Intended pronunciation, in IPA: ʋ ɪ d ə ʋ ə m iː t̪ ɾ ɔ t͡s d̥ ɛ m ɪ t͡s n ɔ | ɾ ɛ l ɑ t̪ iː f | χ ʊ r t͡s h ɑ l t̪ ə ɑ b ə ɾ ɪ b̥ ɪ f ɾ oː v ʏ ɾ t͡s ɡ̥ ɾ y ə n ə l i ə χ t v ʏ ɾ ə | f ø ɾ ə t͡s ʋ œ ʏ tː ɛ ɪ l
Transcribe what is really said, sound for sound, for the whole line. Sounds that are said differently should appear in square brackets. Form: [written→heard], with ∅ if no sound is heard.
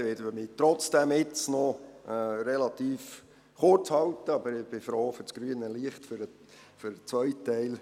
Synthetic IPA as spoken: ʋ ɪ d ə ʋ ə m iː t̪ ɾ ɔ t͡s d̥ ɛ m ɪ t͡s n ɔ | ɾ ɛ l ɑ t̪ iː f | χ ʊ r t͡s h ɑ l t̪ ə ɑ b ə ɾ ɪ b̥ ɪ f ɾ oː [v→f] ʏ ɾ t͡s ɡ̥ ɾ y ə n ə l i ə χ t [v→f] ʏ ɾ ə | f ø ɾ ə t͡s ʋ œ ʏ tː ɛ ɪ l

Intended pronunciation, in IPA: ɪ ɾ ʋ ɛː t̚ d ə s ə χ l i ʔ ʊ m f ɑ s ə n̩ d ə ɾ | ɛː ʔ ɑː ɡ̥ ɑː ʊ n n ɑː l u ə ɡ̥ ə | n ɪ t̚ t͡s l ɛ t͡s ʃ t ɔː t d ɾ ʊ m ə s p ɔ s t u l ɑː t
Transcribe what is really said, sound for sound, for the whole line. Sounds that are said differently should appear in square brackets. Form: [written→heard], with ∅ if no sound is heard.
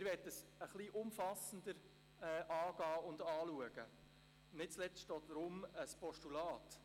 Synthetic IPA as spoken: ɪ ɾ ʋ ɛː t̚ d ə s ə χ l i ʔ ʊ m f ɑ s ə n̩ d ə ɾ | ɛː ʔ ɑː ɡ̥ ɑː ʊ n [n→d] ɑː l u ə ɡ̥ ə | n ɪ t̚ t͡s l ɛ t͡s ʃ t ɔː t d ɾ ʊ m ə s p ɔ [s→ʃ] t u l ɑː t

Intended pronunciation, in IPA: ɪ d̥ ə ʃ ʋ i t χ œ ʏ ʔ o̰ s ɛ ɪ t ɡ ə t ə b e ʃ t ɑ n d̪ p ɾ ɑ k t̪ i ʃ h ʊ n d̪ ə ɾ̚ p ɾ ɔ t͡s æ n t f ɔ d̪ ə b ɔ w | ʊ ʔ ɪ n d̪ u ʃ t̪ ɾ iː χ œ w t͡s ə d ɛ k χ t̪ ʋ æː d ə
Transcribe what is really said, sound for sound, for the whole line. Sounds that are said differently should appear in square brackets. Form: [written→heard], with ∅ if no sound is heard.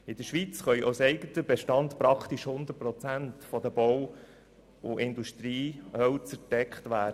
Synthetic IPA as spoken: ɪ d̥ ə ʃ ʋ i [t→t͡s] χ œ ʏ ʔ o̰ s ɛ ɪ [t→∅] ɡ ə t ə b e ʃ t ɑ n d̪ p ɾ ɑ k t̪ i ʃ h ʊ n d̪ ə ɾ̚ p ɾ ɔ t͡s æ n t f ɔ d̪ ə b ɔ w | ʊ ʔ ɪ n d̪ u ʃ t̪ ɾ iː [χ→h] œ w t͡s ə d ɛ k χ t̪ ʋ æː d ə

